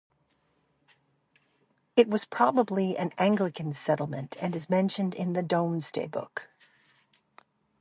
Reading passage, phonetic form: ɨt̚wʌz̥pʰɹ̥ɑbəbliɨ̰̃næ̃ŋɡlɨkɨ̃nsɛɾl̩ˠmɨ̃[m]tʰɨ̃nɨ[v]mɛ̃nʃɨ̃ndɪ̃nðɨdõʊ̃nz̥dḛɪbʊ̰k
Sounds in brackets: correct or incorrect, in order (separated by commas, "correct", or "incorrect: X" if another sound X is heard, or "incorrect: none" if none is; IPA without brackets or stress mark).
incorrect: n, incorrect: z